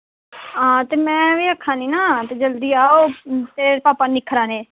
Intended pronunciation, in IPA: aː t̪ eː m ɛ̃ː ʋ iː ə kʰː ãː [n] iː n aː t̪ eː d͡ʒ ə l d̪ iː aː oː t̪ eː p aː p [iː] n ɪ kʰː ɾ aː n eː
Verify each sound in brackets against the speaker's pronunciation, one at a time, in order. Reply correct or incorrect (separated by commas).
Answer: correct, incorrect